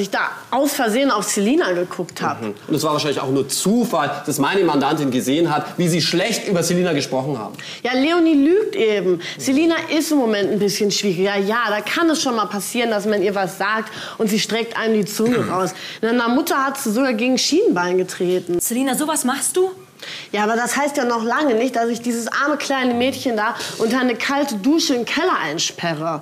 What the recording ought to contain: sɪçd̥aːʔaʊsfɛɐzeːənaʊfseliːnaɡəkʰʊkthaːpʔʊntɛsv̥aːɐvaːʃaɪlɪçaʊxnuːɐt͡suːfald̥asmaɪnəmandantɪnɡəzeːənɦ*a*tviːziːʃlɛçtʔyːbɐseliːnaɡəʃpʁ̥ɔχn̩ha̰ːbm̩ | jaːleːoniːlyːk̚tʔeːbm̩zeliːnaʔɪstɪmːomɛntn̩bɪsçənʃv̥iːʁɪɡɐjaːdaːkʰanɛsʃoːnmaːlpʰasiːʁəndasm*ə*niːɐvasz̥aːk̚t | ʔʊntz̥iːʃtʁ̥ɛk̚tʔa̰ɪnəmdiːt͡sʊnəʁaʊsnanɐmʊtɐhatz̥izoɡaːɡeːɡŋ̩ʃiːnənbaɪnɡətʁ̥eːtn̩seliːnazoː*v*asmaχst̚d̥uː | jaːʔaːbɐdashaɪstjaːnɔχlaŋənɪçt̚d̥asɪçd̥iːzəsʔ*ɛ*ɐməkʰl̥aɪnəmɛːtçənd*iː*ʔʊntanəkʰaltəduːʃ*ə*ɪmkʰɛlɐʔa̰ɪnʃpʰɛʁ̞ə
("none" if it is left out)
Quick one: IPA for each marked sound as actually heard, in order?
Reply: a, a, v, a, aː, ə

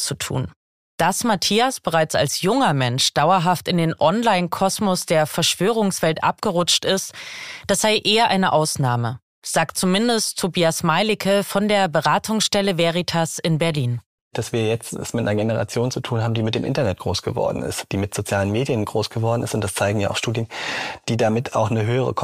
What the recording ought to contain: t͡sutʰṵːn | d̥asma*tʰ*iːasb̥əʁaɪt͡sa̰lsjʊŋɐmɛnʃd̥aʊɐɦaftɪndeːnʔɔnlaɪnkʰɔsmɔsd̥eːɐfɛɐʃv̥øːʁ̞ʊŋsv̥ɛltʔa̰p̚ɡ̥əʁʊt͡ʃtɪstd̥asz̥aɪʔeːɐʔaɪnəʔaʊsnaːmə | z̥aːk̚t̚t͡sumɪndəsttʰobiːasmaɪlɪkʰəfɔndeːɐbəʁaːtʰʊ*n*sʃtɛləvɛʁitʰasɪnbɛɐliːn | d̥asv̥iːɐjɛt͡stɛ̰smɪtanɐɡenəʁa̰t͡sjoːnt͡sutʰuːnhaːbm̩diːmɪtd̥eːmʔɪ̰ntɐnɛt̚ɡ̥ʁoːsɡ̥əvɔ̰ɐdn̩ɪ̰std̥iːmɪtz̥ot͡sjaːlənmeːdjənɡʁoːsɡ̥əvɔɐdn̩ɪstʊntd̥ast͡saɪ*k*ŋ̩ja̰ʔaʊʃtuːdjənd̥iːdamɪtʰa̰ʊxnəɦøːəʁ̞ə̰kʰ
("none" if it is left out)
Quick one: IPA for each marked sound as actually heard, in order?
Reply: tʰ, ŋ, ɡ

